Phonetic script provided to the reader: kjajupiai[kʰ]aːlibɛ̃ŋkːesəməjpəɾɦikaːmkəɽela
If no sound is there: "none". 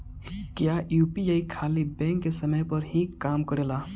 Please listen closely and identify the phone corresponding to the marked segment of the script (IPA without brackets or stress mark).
kʰ